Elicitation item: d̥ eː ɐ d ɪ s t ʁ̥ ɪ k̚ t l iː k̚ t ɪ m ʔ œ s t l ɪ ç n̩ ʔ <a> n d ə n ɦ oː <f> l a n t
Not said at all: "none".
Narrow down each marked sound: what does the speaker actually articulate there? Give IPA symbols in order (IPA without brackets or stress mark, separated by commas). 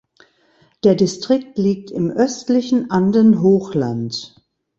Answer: a, x